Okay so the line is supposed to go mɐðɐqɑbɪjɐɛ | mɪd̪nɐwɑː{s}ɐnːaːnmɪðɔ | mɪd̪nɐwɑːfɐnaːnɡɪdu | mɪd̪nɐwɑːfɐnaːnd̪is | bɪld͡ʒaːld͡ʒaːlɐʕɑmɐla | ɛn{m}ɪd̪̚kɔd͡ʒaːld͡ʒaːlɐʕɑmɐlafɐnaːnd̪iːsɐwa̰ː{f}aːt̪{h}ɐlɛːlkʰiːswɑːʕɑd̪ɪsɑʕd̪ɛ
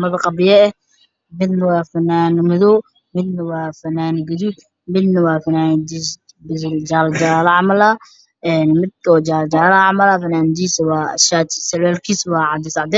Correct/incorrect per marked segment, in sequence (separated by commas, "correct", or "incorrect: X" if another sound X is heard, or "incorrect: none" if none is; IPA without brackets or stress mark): incorrect: f, correct, incorrect: ʃ, incorrect: s